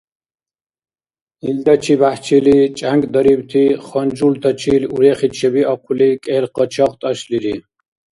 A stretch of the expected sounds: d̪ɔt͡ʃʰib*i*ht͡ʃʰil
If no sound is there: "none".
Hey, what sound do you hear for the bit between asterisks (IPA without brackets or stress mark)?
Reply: a